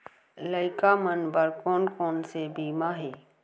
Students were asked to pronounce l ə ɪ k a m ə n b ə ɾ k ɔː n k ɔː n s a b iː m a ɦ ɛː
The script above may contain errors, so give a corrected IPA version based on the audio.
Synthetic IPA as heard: l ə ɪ k a m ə n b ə ɾ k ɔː n k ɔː n s e b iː m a ɦ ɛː